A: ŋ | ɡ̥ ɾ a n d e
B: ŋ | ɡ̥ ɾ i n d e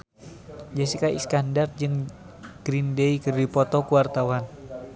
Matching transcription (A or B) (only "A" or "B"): B